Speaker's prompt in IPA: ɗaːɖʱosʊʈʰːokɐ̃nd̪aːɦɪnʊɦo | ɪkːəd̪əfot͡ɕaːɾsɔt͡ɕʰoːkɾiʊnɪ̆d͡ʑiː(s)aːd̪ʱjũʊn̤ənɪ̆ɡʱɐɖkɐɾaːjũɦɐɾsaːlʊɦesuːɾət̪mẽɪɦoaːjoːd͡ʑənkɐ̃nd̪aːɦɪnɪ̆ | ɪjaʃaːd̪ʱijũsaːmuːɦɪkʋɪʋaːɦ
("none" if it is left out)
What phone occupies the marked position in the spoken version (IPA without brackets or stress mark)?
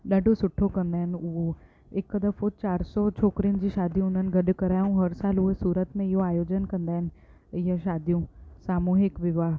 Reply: ʃ